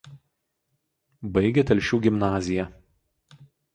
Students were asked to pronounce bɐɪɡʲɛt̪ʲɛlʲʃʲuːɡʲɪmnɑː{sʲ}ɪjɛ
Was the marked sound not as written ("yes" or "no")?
yes